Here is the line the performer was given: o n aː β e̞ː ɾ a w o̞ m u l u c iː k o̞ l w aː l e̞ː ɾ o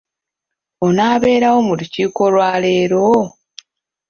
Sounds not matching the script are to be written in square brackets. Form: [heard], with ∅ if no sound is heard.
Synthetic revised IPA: o n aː β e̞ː ɾ a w o̞ m u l u c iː k o̞ l w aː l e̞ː ɾ o